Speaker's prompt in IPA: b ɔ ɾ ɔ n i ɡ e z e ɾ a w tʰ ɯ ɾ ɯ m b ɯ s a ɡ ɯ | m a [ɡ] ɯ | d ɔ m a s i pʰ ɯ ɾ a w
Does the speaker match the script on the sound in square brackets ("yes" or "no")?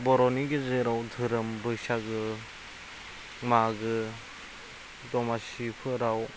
yes